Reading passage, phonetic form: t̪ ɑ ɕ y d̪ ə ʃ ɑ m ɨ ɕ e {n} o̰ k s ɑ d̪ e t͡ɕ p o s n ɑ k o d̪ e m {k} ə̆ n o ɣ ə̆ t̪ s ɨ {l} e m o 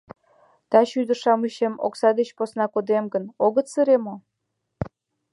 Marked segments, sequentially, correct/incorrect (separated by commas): incorrect, incorrect, incorrect